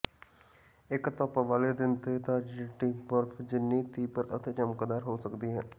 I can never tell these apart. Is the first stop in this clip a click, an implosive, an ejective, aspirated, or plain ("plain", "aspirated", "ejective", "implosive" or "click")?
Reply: plain